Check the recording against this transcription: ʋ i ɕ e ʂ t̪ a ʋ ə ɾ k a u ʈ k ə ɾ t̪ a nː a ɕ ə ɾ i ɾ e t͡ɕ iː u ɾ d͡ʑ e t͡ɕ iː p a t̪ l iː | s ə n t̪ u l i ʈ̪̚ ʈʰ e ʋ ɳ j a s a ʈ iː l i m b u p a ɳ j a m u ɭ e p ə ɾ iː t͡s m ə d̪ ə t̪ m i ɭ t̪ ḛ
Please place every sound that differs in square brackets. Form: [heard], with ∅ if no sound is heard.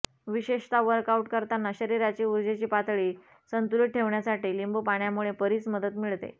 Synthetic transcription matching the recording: ʋ i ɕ e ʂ t̪ a ʋ ə ɾ k a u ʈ k ə ɾ t̪ a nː a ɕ ə ɾ i ɾ [a] t͡ɕ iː u ɾ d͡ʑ e t͡ɕ iː p a t̪ [ɭ] iː | s ə n t̪ u l i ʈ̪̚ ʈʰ e ʋ ɳ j a s a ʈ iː l i m b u p a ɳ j a m u ɭ e p ə ɾ iː t͡s m ə d̪ ə t̪ m i ɭ t̪ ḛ